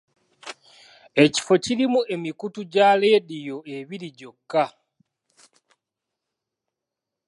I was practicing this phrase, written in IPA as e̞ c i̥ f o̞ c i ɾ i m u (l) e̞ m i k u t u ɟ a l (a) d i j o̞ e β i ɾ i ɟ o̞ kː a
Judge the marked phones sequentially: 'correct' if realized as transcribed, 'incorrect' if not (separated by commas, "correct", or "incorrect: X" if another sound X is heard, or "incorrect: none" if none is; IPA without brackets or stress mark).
incorrect: none, incorrect: e